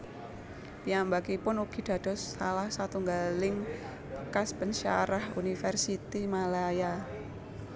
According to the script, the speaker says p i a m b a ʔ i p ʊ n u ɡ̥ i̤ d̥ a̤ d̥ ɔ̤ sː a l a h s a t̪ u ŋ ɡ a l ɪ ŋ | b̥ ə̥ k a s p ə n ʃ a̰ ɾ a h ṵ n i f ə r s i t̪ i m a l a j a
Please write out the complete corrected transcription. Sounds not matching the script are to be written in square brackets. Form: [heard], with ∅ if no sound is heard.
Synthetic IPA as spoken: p i a m b a [k] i p ʊ n u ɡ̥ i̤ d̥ a̤ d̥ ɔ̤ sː a l a h s a t̪ u ŋ ɡ a l ɪ ŋ | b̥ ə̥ k a s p ə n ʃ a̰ ɾ a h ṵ n i f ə r s i t̪ i m a l a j a